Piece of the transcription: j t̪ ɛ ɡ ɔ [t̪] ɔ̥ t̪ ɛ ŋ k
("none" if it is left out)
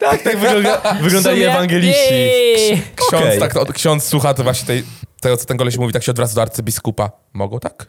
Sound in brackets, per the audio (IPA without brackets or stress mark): t̪